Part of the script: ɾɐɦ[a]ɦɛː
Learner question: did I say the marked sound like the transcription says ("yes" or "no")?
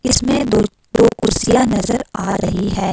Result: no